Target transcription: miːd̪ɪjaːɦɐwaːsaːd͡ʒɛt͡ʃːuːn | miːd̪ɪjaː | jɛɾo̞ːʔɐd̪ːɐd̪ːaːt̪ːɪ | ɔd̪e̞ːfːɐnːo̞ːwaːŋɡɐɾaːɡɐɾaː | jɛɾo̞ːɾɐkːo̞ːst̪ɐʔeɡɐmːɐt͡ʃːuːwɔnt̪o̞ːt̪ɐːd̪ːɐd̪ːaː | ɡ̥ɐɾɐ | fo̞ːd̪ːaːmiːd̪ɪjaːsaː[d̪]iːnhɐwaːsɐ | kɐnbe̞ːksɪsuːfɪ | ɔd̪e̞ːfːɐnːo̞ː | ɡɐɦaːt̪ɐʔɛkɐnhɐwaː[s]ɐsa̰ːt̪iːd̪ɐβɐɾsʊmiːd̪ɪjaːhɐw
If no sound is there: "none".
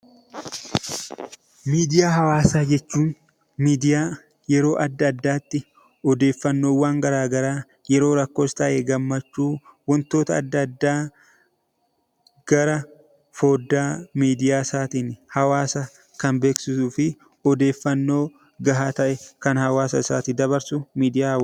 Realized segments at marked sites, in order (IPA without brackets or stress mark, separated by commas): t̪, s